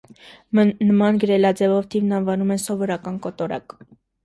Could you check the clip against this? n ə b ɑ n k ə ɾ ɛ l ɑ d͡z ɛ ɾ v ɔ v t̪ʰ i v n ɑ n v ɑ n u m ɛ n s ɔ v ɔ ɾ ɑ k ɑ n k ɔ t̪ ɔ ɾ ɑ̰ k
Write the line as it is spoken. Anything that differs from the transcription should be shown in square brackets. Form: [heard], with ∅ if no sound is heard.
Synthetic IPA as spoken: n ə [m] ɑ n [ɡ] ə ɾ ɛ l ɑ d͡z ɛ [∅] v ɔ v t̪ʰ i v n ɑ n v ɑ n u m ɛ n s ɔ v ɔ ɾ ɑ k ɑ n k ɔ t̪ ɔ ɾ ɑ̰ k